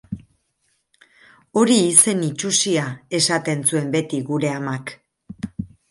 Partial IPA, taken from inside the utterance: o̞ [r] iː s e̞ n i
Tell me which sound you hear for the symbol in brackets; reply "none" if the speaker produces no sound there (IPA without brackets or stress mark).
ɾ